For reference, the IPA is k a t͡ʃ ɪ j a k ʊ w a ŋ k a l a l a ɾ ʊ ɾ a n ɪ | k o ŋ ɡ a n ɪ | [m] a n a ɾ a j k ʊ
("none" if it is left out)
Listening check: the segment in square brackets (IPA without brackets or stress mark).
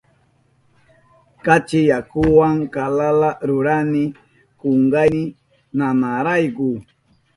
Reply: n